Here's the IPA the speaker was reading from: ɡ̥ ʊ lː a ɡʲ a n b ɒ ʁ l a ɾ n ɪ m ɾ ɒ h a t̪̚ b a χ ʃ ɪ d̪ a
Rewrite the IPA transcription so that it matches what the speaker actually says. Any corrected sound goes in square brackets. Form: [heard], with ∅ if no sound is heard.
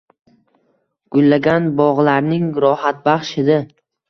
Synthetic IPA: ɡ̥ ʊ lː a ɡʲ a n b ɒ ʁ l a ɾ n ɪ [ŋ] ɾ ɒ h a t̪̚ b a χ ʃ ɪ d̪ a